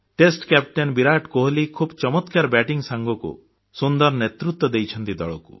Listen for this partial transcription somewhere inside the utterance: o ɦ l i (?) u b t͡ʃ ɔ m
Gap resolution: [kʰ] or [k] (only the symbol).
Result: kʰ